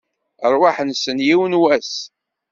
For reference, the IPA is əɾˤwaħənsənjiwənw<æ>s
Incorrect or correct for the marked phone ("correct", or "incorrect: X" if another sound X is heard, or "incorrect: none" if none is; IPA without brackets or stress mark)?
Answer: correct